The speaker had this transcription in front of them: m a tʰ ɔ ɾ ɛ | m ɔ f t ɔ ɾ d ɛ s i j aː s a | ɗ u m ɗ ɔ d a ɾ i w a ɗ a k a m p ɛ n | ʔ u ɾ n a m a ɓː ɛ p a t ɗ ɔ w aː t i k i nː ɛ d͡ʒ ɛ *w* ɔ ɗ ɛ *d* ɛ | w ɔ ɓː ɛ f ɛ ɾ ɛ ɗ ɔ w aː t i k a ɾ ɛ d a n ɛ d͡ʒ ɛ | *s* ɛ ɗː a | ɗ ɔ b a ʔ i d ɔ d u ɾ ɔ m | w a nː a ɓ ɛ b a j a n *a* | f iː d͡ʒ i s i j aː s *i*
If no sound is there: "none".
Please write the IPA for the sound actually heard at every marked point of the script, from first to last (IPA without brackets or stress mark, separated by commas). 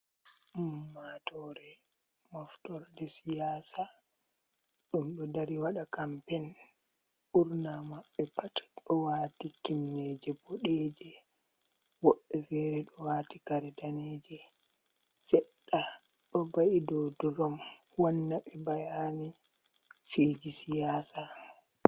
b, d͡ʒ, s, i, a